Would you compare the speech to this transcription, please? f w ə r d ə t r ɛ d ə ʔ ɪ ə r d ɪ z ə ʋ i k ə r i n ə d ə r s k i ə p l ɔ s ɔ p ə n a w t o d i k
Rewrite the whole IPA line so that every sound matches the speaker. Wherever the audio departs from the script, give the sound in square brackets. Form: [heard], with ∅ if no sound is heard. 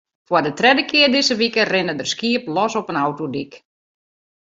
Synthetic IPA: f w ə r d ə t r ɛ d ə [k] ɪ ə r d ɪ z ə ʋ i k ə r [ɪ] n ə d ə r s k i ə p l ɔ s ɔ p ə n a w t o d i k